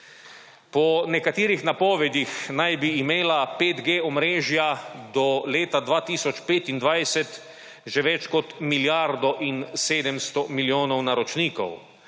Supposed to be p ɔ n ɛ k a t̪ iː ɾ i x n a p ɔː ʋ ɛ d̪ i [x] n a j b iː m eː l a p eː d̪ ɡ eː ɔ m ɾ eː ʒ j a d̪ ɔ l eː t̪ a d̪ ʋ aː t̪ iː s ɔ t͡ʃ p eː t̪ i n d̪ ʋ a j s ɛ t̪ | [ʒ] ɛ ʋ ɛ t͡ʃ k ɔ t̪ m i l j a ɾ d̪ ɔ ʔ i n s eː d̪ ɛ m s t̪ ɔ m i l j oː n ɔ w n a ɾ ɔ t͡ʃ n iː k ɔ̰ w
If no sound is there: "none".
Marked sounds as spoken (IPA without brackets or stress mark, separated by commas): x, ʒ